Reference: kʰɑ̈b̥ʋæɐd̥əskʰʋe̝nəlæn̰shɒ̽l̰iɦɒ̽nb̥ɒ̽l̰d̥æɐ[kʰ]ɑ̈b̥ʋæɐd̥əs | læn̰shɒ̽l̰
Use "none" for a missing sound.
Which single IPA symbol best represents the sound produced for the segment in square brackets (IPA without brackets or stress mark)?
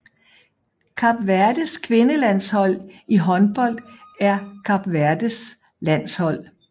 kʰ